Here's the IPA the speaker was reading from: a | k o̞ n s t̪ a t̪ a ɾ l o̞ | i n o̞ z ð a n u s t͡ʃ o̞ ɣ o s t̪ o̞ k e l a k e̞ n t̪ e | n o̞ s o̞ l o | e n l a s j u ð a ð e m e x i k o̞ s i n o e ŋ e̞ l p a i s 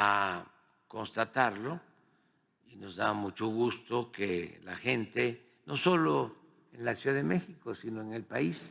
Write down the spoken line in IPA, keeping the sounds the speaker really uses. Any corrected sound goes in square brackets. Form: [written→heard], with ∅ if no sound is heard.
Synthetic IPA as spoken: a | k o̞ n s t̪ a t̪ a ɾ l o̞ | i n o̞ z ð a [n→m] u [s→∅] t͡ʃ o̞ ɣ [o→u] s t̪ o̞ k e l a [k→x] e̞ n t̪ e | n o̞ s o̞ l o | e n l a s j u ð a ð e m e x i k o̞ s i n o e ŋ e̞ l p a i s